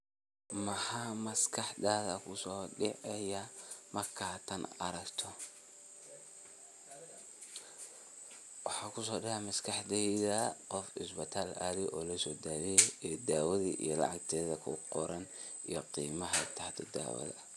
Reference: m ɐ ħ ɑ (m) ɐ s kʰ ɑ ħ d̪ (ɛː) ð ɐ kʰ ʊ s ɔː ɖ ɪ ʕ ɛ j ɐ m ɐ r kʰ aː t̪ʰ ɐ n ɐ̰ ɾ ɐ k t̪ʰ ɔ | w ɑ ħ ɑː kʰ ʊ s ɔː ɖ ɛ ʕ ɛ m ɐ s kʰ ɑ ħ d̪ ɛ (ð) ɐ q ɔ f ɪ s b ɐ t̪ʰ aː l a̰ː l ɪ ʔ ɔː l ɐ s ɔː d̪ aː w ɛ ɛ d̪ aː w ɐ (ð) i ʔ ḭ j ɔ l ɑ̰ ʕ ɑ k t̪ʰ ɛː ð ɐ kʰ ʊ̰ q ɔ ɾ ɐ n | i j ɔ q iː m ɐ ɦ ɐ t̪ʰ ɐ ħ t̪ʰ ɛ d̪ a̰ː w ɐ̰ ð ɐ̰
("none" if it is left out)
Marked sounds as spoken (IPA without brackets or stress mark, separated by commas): m, aː, ð, ð